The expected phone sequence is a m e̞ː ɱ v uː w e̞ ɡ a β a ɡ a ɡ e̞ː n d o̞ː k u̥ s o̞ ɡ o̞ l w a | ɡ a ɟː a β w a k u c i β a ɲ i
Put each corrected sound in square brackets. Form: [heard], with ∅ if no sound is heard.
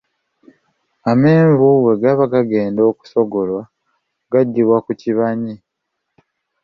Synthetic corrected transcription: a m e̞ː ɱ v [u] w e̞ ɡ a β a ɡ a ɡ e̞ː n d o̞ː k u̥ s o̞ ɡ o̞ l w a | ɡ a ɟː [i] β w a k u c i β a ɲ i